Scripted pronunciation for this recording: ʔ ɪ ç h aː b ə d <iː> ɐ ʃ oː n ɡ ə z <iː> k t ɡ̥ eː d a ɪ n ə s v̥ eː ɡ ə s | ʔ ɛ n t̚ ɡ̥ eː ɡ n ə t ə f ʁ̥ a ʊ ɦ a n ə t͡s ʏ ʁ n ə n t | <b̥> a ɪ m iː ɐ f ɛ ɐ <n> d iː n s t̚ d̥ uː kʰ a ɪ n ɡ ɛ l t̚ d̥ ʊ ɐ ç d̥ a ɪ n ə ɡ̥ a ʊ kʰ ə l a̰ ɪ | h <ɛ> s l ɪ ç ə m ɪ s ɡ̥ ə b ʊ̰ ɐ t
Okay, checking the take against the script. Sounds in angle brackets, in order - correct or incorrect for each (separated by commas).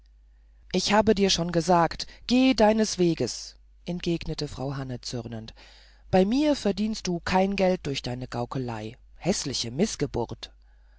correct, incorrect, correct, incorrect, correct